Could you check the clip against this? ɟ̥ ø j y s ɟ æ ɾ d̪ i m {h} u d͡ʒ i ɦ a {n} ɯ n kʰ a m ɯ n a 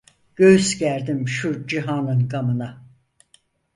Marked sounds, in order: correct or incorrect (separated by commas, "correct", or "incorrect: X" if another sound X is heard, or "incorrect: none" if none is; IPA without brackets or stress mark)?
incorrect: ʃ, correct